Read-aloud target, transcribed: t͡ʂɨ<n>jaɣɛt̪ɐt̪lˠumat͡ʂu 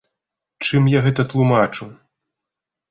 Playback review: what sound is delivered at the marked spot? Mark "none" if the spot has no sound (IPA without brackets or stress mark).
m